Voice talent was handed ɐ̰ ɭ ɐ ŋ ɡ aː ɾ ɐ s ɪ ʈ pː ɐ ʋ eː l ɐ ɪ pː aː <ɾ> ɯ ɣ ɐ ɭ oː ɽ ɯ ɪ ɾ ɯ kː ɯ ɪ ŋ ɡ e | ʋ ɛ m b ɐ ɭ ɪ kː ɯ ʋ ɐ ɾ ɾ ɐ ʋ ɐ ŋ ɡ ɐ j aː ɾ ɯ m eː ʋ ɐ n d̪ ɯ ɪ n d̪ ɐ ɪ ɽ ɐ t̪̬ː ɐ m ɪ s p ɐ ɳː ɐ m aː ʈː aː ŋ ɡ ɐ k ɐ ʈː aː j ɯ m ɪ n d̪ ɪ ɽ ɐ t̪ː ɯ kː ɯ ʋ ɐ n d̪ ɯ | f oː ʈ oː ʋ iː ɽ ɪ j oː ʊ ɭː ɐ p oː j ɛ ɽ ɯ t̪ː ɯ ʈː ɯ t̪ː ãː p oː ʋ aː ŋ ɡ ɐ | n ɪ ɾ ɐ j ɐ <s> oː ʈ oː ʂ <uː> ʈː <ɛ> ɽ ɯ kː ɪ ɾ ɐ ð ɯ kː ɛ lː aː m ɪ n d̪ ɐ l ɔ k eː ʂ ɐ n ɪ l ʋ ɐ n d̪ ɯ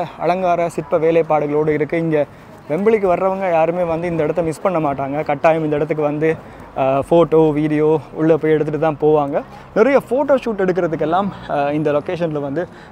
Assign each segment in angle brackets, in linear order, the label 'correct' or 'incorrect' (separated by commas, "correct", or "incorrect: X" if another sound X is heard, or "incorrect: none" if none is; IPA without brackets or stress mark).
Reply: incorrect: ɽ, incorrect: f, correct, correct